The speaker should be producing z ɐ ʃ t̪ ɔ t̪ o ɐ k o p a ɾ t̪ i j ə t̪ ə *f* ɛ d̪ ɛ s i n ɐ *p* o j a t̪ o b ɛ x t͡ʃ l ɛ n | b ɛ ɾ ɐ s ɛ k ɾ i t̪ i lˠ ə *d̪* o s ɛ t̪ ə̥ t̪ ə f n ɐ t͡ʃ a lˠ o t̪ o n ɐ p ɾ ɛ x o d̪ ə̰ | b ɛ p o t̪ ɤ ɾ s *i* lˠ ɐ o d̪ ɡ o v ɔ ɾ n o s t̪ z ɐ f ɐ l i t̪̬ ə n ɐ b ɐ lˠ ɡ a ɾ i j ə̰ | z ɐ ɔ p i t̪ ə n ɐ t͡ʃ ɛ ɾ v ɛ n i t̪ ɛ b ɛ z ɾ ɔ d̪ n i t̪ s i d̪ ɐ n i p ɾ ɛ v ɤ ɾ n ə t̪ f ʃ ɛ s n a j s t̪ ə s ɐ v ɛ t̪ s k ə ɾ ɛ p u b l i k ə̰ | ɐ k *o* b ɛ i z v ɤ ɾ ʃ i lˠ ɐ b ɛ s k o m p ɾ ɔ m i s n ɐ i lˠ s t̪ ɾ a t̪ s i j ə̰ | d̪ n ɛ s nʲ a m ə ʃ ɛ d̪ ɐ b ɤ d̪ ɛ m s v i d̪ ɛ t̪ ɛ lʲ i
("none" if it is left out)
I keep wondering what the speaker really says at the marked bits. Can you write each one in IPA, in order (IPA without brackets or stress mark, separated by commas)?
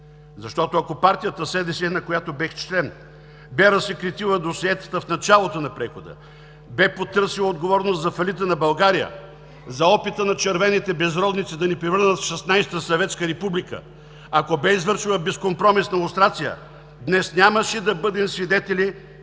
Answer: s, k, d̪, i, o